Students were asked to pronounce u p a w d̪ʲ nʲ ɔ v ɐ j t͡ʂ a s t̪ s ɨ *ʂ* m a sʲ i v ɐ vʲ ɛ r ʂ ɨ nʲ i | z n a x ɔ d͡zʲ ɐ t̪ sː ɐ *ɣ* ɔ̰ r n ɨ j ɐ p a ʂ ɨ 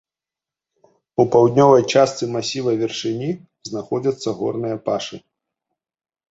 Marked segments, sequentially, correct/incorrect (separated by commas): incorrect, correct